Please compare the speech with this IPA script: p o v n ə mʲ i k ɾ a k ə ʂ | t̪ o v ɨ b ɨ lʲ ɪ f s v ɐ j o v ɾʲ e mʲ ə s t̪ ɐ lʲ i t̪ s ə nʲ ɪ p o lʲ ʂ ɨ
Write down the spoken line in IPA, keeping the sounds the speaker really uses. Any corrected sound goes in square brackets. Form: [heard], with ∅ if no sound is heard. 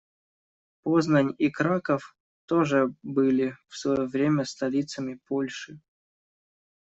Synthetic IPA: p o [z] n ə [nʲ] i k ɾ a k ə [f] | t̪ o [ʐ] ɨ b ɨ lʲ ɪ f s v ɐ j o v ɾʲ e mʲ ə s t̪ ɐ lʲ i t̪ s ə [mʲ] ɪ p o lʲ ʂ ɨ